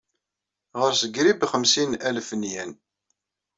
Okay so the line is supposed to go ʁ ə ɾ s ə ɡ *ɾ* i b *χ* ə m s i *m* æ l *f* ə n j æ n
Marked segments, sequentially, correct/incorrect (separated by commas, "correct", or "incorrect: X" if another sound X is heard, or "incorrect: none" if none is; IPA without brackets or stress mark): correct, correct, incorrect: n, correct